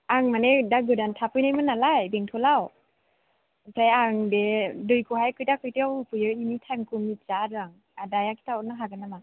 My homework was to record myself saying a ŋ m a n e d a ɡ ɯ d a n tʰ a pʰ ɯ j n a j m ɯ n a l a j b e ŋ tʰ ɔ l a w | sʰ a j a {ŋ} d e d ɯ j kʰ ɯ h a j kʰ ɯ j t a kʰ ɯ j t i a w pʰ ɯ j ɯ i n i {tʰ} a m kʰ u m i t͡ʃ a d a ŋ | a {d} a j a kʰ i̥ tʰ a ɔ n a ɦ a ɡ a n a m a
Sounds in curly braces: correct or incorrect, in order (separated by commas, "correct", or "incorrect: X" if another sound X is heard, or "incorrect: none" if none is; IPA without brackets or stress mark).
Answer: correct, correct, correct